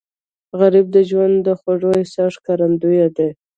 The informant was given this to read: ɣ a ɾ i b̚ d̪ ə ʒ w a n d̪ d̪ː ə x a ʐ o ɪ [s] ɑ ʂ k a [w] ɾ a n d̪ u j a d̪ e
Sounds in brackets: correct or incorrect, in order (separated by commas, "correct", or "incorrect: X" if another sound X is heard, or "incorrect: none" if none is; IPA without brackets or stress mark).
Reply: correct, incorrect: none